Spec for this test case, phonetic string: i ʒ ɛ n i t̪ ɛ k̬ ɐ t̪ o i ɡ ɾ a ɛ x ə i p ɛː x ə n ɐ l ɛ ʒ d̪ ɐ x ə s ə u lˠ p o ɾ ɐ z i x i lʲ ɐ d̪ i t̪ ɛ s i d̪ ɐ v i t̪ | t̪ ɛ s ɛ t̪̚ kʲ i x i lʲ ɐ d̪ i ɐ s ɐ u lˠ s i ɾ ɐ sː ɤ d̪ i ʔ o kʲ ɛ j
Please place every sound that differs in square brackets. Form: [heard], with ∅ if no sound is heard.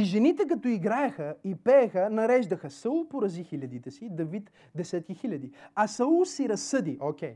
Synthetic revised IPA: i ʒ ɛ n i t̪ ɛ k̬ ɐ t̪ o i ɡ ɾ a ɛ x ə i p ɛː x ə n ɐ [ɾ] ɛ ʒ d̪ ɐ x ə s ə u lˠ p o ɾ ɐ z i x i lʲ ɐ d̪ i t̪ ɛ s i d̪ ɐ v i t̪ | [d̪] ɛ s ɛ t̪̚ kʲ i x i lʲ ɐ d̪ i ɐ s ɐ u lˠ s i ɾ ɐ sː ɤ d̪ i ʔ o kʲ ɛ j